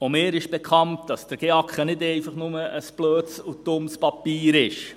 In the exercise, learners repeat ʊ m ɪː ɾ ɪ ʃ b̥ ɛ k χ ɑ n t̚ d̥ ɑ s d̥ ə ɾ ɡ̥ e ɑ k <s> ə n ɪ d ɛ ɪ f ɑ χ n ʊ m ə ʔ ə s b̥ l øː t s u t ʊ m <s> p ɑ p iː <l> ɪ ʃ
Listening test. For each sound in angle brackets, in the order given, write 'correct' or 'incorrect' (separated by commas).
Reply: incorrect, correct, incorrect